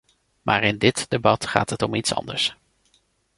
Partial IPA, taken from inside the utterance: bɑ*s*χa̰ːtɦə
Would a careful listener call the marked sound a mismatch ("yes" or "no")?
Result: yes